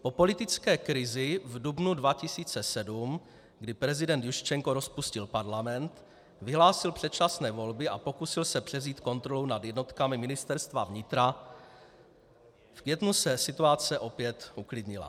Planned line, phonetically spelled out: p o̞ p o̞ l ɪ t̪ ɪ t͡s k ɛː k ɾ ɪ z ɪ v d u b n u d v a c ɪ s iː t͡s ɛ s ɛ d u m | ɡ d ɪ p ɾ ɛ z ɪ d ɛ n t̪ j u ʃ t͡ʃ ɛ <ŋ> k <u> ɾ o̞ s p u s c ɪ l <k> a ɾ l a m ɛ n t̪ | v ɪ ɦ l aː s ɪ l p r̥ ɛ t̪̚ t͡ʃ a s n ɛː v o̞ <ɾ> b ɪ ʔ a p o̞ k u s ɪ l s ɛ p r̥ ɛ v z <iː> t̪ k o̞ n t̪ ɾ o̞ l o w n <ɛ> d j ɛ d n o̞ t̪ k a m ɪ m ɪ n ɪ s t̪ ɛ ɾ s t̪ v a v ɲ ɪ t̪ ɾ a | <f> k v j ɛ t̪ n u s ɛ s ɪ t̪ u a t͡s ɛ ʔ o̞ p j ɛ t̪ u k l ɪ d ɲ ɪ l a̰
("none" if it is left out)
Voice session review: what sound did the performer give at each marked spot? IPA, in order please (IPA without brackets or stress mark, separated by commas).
ŋ, o, p, l, iː, a, f